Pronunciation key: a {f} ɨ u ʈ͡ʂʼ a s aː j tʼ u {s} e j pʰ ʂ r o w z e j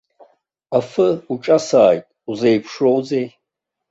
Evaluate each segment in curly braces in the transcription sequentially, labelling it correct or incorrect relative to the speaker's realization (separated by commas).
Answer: correct, incorrect